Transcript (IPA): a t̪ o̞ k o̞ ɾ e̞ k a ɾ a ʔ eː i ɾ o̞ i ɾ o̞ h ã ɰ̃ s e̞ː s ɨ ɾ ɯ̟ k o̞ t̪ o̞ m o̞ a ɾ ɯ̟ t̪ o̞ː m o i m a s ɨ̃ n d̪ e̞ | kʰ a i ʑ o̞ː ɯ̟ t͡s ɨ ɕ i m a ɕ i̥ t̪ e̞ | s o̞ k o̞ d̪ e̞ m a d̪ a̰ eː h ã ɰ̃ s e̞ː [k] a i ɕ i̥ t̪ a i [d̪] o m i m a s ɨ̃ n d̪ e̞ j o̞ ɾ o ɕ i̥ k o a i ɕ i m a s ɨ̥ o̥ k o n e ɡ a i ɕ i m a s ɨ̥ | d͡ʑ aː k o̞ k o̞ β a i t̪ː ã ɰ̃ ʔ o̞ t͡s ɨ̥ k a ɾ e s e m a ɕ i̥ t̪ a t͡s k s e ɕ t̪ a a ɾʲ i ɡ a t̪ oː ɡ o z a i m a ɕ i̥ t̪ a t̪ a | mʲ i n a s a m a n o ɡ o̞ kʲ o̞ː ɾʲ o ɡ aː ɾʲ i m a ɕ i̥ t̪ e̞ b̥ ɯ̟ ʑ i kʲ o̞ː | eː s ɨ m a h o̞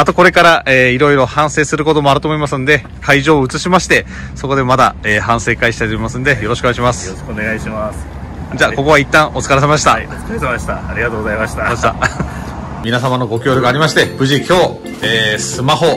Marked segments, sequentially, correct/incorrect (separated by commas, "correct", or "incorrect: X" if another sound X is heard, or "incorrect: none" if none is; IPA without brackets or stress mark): correct, incorrect: t̪